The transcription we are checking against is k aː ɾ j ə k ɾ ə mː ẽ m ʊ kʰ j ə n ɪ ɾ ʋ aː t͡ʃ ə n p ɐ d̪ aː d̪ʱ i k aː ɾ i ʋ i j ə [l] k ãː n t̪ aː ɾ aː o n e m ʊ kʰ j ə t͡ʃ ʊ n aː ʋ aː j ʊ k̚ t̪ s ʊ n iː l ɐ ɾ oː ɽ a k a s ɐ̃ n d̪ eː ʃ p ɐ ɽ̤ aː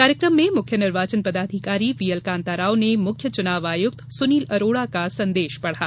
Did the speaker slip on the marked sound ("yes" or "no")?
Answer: no